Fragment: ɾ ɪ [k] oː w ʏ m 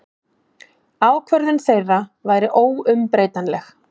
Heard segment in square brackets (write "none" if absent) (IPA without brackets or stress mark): ʔ